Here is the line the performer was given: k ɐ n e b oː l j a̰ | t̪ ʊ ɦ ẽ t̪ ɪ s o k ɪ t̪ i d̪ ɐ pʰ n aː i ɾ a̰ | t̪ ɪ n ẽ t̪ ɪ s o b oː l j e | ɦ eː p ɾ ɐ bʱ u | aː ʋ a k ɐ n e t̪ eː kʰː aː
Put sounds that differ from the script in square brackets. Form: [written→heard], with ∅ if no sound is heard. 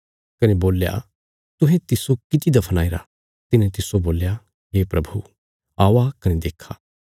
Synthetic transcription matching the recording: k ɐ n e b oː l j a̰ | t̪ ʊ ɦ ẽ t̪ ɪ s o k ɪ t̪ i d̪ ɐ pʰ n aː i ɾ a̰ | t̪ ɪ n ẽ t̪ ɪ s o b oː l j [e→a] | ɦ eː p ɾ ɐ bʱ u | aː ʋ a k ɐ n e [t̪→d̪] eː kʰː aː